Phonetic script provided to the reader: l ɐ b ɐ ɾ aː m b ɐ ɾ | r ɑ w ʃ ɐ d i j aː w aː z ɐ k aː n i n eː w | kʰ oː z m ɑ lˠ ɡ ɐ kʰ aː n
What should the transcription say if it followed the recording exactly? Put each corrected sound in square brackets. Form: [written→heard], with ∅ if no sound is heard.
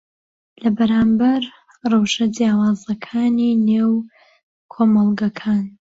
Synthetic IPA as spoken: l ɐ b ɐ ɾ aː m b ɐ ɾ | r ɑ w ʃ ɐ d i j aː w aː z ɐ [k→kʰ] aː n i n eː w | kʰ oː [z→∅] m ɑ lˠ ɡ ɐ kʰ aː n

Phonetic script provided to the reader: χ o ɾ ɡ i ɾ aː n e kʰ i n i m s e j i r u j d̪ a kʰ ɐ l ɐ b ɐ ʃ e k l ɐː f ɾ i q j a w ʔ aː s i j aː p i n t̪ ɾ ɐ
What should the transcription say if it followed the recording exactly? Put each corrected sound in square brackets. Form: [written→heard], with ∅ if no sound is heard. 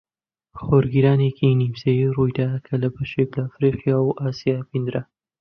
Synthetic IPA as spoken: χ o ɾ ɡ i ɾ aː n e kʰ i n i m s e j i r u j d̪ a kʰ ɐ l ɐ b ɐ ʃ e k l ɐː f ɾ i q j a w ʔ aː s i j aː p i n [t̪→d̪] ɾ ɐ

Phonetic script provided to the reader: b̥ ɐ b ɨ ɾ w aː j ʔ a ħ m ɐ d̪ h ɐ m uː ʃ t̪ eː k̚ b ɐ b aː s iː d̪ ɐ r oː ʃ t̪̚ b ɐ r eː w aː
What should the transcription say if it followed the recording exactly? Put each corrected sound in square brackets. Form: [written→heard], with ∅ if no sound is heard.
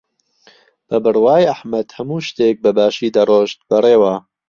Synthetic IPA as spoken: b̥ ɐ b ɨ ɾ w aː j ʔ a ħ m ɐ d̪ h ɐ m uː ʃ t̪ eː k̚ b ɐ b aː [s→ʃ] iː d̪ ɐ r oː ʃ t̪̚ b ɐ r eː w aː

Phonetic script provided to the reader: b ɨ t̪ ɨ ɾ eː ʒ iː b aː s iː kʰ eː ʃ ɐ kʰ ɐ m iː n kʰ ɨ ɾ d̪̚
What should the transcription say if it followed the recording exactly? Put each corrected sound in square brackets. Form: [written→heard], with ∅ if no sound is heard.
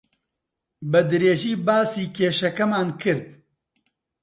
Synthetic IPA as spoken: b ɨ [t̪→d̪] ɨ ɾ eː ʒ iː b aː s iː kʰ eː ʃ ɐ [kʰ→k] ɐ m [iː→aː] n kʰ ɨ ɾ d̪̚

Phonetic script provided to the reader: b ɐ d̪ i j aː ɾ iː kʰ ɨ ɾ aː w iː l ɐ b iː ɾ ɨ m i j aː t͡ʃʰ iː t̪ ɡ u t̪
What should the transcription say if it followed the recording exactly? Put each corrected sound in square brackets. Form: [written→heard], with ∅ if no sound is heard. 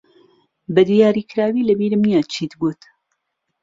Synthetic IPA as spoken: b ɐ d̪ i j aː ɾ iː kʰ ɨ ɾ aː w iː l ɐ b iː ɾ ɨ m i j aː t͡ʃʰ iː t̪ ɡ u t̪

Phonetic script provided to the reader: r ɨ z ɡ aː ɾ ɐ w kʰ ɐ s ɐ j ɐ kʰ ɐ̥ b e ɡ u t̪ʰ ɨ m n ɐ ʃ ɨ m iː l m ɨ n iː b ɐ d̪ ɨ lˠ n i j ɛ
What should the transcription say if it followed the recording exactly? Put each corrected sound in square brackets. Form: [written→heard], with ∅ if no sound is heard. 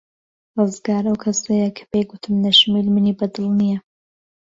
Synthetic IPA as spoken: r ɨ z ɡ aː ɾ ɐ w kʰ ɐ s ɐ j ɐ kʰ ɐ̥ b e ɡ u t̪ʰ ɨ m n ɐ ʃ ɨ m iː l m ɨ n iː b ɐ d̪ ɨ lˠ n i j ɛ

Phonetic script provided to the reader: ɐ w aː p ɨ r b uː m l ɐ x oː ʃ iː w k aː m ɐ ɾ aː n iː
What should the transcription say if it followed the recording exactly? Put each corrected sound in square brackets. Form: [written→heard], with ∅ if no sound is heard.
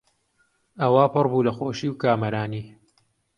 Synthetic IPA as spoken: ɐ w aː p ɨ r b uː [m→∅] l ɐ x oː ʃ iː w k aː m ɐ ɾ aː n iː

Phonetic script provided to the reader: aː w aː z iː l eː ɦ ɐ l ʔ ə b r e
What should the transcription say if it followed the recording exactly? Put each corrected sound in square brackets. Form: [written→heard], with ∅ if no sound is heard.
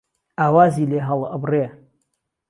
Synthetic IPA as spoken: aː w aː z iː l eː ɦ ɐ l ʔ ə b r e

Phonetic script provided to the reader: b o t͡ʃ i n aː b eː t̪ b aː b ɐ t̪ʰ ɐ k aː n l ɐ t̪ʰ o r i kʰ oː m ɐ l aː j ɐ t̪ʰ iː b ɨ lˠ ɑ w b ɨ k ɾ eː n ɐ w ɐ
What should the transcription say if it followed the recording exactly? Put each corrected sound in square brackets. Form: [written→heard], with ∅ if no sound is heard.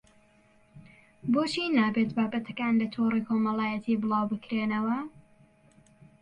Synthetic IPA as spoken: b o t͡ʃ i n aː b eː t̪ b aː b ɐ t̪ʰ ɐ k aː n l ɐ t̪ʰ o r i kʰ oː m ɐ l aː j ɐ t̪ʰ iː b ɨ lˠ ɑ w b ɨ k ɾ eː n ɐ w ɐ

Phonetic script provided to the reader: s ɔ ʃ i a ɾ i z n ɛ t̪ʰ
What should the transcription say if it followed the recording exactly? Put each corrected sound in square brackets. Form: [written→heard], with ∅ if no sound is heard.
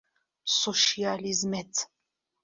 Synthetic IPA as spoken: s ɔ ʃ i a [ɾ→l] i z [n→m] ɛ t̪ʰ

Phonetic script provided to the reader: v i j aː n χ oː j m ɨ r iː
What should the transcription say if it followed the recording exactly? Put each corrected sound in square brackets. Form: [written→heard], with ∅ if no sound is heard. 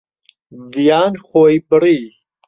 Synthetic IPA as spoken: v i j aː n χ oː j [m→b] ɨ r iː

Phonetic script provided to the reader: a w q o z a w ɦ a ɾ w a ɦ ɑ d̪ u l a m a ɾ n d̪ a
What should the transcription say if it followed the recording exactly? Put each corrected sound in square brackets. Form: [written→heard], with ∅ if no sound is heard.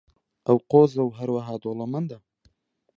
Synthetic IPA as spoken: a w q o z a w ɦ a ɾ w a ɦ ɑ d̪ [u→o] l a m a [ɾ→∅] n d̪ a

